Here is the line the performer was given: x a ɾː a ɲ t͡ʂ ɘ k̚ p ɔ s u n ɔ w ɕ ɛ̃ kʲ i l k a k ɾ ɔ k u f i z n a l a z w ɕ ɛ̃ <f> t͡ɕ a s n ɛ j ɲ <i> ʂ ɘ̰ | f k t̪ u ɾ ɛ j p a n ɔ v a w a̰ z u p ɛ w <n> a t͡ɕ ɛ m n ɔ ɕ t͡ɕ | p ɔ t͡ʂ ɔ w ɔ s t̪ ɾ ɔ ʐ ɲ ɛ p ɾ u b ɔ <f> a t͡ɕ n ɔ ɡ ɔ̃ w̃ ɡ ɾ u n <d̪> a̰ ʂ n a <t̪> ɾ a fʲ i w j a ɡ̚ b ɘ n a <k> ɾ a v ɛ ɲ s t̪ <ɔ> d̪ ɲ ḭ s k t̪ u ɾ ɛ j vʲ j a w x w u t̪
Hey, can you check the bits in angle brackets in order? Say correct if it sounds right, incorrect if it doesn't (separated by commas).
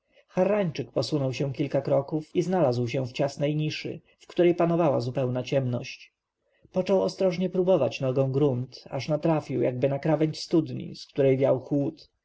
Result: correct, correct, correct, incorrect, incorrect, correct, correct, incorrect